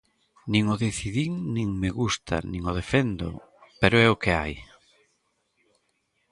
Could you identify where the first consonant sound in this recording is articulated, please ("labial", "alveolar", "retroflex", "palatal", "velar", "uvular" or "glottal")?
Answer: alveolar